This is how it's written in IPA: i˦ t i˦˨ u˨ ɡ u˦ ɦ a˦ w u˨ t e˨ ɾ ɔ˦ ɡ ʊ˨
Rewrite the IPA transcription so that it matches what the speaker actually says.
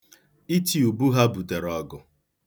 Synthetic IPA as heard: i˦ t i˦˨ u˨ b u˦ ɦ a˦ b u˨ t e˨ ɾ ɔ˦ ɡ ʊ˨